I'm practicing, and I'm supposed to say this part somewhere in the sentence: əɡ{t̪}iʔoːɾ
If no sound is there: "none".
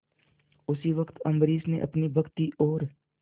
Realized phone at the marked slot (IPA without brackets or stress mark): t̪